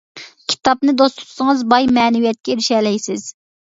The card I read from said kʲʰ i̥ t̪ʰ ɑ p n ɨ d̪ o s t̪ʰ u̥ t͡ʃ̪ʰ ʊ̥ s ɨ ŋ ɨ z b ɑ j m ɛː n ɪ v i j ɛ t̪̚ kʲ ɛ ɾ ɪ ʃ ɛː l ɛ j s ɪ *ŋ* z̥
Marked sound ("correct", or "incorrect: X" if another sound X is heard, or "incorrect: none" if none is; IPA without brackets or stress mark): incorrect: none